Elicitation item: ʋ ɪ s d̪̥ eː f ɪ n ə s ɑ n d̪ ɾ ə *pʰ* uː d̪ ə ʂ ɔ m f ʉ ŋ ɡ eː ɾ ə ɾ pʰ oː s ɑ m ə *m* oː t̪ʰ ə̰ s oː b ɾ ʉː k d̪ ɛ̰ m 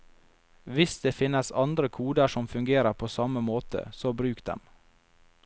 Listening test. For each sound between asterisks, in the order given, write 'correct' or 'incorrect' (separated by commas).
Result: incorrect, correct